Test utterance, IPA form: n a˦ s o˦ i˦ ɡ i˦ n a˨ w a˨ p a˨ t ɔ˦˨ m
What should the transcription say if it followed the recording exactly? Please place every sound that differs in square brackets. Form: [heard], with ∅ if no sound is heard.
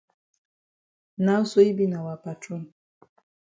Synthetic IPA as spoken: n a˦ s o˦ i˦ [b] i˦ n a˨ w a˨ p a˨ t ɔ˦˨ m